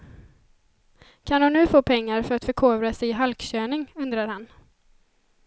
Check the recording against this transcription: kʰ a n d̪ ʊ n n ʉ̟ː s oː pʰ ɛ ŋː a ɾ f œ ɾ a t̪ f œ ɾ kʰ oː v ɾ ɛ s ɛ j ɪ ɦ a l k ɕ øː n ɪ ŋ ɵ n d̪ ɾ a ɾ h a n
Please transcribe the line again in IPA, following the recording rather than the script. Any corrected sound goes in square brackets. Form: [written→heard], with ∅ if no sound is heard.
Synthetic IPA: kʰ a n d̪ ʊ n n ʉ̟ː [s→f] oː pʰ ɛ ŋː a ɾ f œ ɾ a t̪ f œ ɾ kʰ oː v ɾ [ɛ→a] s ɛ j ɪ ɦ a l k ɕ øː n ɪ ŋ ɵ n d̪ ɾ a ɾ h a n